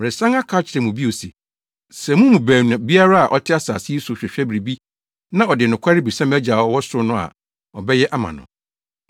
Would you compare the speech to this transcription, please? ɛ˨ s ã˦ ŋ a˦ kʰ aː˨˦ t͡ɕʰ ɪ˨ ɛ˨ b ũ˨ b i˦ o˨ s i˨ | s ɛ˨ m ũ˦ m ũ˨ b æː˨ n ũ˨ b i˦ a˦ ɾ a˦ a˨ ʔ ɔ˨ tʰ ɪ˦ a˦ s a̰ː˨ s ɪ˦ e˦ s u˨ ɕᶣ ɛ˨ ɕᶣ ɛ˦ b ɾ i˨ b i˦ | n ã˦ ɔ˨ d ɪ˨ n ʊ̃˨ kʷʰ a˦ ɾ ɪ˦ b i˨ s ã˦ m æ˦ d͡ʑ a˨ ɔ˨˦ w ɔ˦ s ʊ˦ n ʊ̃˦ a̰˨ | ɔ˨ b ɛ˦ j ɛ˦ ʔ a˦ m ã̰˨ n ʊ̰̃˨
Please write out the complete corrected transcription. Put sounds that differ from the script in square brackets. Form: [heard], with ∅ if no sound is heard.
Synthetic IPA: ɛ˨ s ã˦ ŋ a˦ kʰ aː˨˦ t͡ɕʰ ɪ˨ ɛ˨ [m] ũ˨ b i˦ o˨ s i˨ | s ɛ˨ m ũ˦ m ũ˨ b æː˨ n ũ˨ b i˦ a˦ ɾ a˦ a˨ ʔ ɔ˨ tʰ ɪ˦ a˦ s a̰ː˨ s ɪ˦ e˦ s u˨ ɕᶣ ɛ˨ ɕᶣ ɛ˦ b ɾ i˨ b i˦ | n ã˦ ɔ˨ d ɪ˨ n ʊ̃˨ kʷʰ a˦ ɾ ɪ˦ b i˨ s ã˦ m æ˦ d͡ʑ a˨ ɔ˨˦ w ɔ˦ s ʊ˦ n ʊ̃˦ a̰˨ | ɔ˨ b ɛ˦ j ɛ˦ ʔ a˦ m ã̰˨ n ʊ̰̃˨